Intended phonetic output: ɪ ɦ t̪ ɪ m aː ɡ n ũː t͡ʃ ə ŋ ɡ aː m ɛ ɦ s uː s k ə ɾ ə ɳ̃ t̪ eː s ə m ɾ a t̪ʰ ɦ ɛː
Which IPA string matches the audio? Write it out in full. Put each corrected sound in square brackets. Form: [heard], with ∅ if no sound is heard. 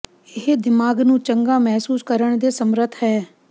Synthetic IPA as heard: ɪ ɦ [d̪] ɪ m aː ɡ n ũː t͡ʃ ə ŋ ɡ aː m ɛ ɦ s uː s k ə ɾ ə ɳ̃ [d̪] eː s ə m ɾ [ə] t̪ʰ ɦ ɛː